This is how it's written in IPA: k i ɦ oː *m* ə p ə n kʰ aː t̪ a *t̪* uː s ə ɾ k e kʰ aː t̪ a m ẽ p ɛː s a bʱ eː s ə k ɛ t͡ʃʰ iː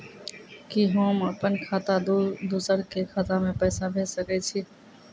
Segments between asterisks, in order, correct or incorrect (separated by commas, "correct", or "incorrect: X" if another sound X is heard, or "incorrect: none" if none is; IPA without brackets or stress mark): correct, incorrect: d̪